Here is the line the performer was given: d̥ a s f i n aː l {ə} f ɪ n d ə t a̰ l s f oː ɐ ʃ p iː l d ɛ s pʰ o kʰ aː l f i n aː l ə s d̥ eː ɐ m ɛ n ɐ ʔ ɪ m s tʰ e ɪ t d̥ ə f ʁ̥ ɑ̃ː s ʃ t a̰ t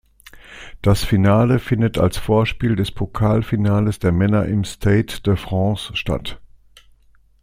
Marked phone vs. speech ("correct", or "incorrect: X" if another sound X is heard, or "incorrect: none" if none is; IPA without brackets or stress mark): correct